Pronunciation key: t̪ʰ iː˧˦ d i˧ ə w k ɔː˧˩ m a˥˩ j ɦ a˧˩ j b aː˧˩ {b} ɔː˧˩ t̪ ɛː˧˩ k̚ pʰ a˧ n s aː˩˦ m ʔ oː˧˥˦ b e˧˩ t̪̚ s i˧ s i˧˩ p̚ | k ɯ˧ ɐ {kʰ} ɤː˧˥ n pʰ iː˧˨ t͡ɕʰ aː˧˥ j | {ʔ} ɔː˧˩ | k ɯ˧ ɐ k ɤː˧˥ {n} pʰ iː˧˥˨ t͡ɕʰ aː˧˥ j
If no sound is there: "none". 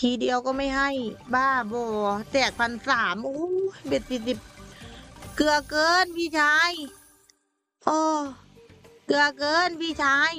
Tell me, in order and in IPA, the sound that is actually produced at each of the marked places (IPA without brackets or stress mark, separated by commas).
b, k, ʔ, n